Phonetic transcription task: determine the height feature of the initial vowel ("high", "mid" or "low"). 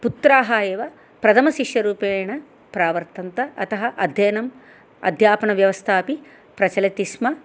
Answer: high